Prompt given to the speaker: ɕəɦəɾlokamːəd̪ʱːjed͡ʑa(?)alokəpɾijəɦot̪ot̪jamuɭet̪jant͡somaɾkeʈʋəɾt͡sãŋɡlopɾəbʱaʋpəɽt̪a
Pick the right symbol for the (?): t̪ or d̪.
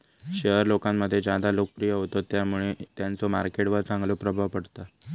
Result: d̪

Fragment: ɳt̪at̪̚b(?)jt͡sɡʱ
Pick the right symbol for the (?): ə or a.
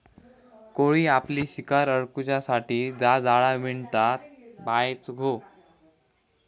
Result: a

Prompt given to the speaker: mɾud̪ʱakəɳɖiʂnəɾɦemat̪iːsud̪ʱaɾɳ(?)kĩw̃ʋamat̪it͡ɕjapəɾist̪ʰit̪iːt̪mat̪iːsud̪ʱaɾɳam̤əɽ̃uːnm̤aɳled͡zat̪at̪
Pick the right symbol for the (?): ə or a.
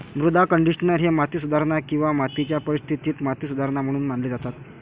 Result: a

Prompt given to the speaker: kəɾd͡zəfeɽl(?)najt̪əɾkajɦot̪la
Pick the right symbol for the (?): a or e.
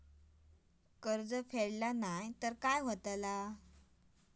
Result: a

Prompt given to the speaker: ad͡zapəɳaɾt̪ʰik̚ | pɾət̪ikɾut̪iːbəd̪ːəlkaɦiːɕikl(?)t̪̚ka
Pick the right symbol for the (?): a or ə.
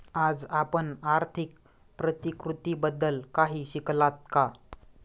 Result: a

